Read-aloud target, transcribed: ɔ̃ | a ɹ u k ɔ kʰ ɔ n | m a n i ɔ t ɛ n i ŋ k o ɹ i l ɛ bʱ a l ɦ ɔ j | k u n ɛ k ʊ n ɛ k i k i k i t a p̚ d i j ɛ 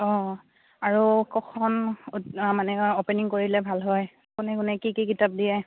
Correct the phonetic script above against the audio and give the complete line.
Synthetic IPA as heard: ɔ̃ | a ɹ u k ɔ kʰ ɔ n | m a n ɛ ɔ p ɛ n i ŋ k o ɹ i l ɛ bʱ a l ɦ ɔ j | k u n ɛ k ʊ n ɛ k i k i k i t a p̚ d i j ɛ